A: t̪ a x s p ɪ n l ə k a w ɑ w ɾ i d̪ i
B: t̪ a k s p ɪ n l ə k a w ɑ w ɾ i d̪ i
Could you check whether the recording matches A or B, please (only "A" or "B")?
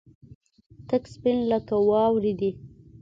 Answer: B